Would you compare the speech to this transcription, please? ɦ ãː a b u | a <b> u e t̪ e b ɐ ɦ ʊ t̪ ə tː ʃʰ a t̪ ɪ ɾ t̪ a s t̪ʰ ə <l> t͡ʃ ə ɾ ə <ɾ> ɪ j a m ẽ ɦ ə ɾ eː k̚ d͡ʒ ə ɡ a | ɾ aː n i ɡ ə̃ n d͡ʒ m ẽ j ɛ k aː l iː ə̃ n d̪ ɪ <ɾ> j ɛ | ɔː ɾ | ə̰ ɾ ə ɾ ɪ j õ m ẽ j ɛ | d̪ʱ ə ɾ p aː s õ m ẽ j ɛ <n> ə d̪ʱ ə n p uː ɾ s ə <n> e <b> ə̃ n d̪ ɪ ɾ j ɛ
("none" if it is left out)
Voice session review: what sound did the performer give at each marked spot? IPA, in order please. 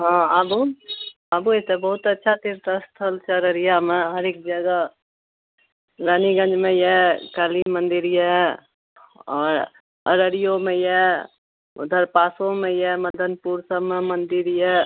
b, l, ɾ, ɾ, m, m, m

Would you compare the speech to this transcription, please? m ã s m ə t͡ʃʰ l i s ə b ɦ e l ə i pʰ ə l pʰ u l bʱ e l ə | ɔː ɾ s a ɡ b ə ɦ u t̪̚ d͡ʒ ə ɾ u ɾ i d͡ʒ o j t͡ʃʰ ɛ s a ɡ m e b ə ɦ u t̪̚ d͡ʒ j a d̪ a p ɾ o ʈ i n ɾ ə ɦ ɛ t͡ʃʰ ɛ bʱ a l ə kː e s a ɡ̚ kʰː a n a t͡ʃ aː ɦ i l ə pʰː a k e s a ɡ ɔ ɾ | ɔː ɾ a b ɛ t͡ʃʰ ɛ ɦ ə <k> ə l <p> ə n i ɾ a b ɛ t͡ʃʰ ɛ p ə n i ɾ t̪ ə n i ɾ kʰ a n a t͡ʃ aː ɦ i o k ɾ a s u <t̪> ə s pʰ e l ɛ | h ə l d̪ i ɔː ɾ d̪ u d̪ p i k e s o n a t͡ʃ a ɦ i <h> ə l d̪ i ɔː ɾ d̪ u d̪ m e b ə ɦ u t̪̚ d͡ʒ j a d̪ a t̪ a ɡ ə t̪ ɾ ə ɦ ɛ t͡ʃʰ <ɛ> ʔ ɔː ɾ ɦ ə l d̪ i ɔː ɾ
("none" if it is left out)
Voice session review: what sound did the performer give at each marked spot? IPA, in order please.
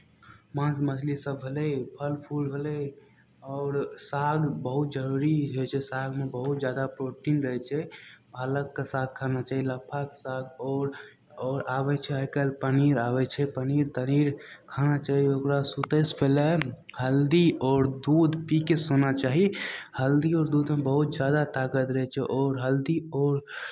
k, p, t̪, h, ɛ

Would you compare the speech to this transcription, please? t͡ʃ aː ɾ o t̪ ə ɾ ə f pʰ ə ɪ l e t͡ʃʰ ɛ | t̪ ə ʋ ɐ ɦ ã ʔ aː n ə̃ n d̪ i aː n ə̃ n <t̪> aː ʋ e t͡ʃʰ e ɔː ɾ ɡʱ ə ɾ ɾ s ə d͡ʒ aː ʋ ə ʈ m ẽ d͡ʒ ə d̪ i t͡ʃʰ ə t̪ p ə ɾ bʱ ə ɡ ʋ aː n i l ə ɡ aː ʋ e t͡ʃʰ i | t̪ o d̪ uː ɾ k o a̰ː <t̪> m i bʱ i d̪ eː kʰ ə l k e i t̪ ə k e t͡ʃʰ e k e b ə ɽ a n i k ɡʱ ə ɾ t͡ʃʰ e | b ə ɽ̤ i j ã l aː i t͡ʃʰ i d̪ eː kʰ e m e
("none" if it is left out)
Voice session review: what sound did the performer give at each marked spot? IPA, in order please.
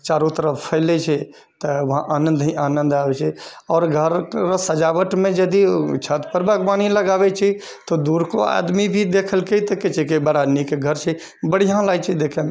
d̪, d̪

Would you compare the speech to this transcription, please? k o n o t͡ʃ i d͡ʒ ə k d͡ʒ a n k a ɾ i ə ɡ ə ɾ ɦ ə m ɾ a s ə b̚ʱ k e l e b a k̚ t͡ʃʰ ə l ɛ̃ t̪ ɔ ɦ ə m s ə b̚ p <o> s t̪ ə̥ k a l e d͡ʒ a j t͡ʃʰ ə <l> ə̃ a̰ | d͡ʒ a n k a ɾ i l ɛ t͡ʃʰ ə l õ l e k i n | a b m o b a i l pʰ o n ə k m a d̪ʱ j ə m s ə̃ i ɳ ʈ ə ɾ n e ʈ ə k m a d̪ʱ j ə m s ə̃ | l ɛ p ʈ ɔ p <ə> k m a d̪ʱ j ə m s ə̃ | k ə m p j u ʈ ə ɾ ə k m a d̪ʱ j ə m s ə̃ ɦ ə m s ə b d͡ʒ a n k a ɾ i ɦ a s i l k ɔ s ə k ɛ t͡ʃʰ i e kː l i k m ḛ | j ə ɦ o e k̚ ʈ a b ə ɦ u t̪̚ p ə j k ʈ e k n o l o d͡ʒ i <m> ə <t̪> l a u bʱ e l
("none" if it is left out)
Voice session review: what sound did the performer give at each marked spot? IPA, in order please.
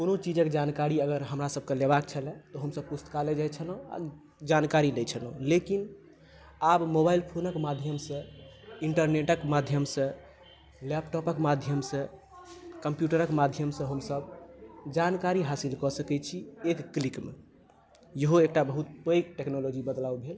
u, l, ə, b, d̪

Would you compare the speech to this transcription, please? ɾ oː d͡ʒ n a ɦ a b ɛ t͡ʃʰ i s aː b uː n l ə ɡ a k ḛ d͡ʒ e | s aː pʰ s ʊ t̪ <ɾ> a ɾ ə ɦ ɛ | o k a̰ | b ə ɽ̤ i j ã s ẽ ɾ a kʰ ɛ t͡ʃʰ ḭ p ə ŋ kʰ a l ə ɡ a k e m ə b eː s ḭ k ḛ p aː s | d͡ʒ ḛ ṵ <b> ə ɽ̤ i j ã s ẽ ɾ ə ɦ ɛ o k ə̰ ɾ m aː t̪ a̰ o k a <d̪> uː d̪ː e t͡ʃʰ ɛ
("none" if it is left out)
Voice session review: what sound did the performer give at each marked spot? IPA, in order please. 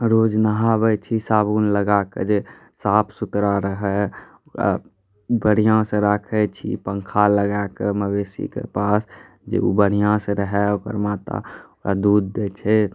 ɾ, b, d̪

